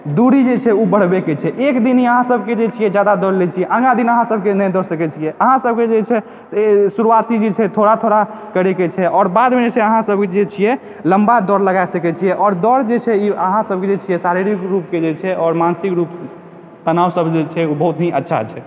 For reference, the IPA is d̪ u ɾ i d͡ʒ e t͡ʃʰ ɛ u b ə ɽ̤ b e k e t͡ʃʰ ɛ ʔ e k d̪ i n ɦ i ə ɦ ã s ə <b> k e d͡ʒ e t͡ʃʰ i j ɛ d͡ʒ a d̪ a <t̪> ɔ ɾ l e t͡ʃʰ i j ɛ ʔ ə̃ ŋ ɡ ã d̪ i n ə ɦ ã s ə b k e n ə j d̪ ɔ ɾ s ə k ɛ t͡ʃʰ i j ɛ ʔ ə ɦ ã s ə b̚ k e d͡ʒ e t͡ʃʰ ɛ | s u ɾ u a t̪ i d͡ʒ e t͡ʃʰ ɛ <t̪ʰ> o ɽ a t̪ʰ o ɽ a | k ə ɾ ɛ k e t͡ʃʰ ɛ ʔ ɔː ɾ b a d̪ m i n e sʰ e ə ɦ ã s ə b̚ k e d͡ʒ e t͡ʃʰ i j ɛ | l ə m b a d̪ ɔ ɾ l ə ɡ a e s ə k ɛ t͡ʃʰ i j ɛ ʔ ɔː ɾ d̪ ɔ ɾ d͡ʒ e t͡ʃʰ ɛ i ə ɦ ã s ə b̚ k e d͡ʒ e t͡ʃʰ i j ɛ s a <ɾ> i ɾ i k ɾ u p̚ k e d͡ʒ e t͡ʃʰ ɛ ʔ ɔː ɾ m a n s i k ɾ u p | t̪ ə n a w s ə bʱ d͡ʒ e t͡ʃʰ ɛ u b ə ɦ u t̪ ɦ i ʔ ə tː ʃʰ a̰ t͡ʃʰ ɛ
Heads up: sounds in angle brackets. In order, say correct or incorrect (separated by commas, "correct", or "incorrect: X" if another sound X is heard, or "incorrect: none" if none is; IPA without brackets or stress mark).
correct, incorrect: d̪, correct, correct